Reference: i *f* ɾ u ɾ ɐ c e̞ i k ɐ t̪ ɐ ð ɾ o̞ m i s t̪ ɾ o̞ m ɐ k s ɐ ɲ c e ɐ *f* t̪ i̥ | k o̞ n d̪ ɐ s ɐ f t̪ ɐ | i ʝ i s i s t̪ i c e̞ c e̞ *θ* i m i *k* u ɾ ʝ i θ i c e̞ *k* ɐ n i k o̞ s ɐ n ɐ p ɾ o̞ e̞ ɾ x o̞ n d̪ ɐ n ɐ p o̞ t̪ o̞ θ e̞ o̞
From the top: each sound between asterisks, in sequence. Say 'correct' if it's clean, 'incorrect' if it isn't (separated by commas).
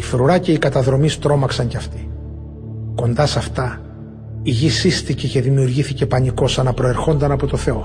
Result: correct, correct, incorrect, incorrect, incorrect